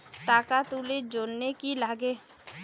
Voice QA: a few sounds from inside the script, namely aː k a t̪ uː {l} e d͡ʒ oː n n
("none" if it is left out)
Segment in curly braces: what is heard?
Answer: l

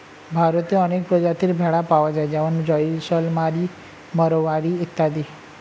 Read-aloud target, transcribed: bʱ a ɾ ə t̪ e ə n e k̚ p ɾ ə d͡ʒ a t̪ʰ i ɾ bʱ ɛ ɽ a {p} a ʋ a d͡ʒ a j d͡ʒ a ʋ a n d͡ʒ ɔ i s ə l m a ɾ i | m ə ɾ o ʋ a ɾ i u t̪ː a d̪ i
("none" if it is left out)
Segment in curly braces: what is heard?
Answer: p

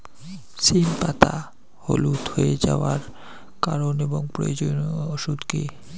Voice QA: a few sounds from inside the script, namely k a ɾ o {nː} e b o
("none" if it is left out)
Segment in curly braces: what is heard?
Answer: n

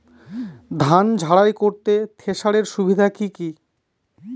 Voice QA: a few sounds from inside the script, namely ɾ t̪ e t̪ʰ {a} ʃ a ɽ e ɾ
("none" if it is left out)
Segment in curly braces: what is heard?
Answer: e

